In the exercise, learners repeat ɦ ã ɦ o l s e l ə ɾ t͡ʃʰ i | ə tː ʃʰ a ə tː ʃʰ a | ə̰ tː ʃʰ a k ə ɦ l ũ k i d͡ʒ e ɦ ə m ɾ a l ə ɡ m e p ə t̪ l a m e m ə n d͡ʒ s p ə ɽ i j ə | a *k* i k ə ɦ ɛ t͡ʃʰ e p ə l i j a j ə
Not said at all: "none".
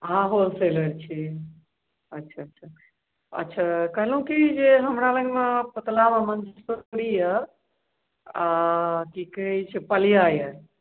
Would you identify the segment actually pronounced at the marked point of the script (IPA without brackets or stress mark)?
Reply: k